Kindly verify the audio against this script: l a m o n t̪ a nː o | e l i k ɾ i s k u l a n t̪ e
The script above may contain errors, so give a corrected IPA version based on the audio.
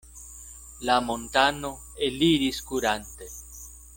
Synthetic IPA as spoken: l a m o n t̪ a n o | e l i ɾ i s k u ɾ a n t̪ e